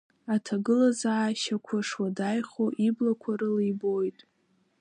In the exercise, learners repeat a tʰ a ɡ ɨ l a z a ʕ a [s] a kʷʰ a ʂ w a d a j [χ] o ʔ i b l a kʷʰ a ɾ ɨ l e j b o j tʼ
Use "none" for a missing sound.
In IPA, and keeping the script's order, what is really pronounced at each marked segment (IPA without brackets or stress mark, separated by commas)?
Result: ʃ, χ